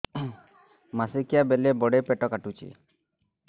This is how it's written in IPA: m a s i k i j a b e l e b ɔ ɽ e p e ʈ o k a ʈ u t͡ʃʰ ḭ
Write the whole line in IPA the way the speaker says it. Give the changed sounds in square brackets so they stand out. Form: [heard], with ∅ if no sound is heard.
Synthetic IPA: m a s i k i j a b e l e b ɔ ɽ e p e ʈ [ɔ] k a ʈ u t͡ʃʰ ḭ